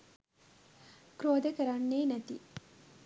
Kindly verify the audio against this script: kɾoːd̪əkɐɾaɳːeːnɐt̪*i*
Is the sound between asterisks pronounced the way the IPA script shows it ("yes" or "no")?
yes